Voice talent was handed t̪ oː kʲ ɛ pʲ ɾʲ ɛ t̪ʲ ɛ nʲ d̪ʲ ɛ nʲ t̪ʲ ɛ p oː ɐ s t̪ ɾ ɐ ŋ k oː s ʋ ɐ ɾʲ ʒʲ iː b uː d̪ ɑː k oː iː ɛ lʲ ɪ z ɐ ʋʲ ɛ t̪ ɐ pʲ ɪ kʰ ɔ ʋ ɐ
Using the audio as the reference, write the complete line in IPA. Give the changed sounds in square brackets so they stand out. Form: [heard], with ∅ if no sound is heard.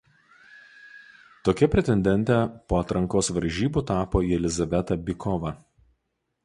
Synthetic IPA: t̪ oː kʲ ɛ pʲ ɾʲ ɛ t̪ʲ ɛ nʲ d̪ʲ ɛ nʲ t̪ʲ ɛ p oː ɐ [∅] t̪ ɾ ɐ ŋ k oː s ʋ ɐ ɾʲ ʒʲ iː b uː [t̪] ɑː [p] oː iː ɛ lʲ ɪ z ɐ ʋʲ ɛ t̪ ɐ [bʲ] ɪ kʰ ɔ ʋ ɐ